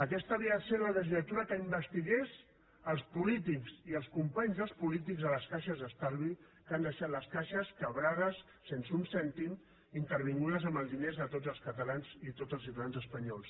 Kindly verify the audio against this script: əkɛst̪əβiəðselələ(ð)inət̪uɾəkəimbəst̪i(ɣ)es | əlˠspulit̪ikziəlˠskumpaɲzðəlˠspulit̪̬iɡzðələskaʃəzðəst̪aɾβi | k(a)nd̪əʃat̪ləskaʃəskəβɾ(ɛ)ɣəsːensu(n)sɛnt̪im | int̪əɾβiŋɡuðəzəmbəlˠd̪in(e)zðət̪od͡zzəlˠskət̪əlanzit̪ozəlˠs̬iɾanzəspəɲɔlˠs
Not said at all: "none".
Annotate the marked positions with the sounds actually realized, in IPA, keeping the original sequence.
ʒ, ɣ, a, a, n, e

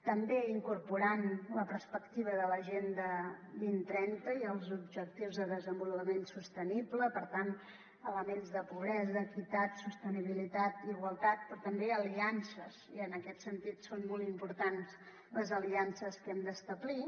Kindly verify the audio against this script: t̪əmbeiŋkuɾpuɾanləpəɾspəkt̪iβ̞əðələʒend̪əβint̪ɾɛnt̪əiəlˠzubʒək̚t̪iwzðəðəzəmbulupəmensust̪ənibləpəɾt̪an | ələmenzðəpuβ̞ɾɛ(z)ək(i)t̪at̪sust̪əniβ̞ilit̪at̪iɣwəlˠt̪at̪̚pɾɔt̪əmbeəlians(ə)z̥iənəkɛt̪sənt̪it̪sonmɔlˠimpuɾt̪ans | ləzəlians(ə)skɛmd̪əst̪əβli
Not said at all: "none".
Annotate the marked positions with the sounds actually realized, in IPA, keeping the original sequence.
z, i, ə, ə

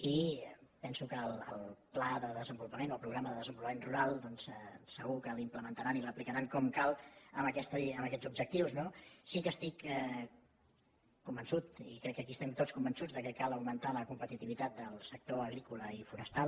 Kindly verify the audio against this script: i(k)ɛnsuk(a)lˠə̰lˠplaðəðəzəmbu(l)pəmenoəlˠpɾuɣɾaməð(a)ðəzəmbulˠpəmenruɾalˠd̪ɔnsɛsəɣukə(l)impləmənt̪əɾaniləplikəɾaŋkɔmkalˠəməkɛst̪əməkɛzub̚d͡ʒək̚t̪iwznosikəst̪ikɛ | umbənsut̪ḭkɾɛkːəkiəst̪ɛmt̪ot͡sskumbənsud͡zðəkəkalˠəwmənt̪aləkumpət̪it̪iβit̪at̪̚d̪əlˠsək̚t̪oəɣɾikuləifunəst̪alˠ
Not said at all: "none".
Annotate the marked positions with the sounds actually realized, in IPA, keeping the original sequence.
p, ə, l, ə, l

